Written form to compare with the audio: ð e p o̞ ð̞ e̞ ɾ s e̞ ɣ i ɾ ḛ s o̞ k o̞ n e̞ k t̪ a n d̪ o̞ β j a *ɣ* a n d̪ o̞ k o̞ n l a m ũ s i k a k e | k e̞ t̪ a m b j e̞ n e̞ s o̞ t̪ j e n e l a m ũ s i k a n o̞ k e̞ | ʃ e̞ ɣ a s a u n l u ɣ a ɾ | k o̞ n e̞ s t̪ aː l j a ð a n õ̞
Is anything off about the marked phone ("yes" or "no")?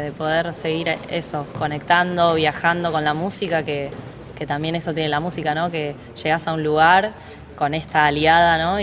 yes